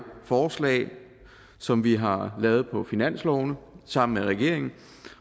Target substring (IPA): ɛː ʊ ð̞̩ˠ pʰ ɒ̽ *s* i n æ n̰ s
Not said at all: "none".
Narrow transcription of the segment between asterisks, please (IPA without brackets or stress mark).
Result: f